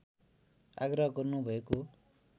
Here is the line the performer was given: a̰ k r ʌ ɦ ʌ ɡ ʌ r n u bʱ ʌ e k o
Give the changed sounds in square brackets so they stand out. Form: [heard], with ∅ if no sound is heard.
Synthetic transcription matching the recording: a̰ [ɡ] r ʌ ɦ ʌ ɡ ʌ r n u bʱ ʌ e k o